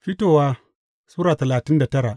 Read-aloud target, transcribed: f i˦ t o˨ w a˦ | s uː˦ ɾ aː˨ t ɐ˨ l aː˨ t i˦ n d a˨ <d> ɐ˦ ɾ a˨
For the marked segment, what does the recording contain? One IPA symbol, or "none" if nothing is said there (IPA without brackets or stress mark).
t